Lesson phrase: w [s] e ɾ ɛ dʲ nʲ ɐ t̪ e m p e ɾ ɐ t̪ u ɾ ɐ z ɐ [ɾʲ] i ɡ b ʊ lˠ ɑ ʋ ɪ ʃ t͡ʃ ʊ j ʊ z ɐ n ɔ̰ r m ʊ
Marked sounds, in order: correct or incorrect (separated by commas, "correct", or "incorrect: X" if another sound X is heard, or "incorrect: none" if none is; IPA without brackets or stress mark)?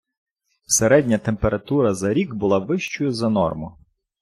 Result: correct, correct